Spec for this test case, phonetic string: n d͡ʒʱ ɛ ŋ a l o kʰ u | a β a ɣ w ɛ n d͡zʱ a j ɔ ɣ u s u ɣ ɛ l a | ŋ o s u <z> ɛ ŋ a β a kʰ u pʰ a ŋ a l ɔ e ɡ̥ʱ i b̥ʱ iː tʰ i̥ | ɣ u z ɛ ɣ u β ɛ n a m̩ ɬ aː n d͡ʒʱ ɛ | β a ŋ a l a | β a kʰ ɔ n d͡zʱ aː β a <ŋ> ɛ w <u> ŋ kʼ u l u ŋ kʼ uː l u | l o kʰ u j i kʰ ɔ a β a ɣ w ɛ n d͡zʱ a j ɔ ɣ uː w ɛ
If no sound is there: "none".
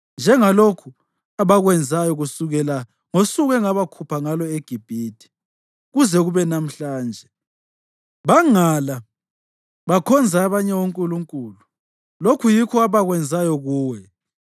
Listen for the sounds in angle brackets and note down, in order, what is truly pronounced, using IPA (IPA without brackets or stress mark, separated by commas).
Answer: ɣ, ɲ, o